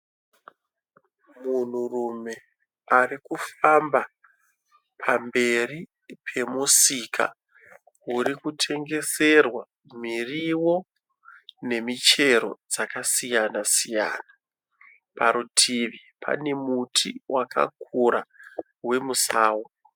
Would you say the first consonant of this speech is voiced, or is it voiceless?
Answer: voiced